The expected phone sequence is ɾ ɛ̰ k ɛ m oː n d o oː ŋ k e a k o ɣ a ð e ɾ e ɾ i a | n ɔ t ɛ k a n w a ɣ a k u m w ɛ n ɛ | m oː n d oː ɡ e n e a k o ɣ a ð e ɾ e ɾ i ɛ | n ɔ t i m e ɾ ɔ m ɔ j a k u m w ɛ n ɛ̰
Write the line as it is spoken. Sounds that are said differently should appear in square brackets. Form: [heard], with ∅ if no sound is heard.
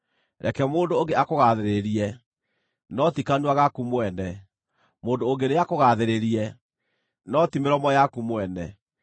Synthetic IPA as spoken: ɾ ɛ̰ k ɛ m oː n d o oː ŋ [ɡ] e a k o ɣ a ð e ɾ e ɾ i [ɛ] | n ɔ t [i] k a n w a ɣ a k u m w ɛ n ɛ | m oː n d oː ɡ e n e a k o ɣ a ð e ɾ e ɾ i ɛ | n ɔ t i m e ɾ ɔ m ɔ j a k u m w ɛ n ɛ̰